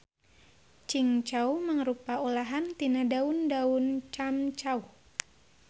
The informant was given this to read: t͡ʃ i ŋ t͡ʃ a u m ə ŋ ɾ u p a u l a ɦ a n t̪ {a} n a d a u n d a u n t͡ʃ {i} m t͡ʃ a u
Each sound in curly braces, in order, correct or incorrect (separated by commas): incorrect, incorrect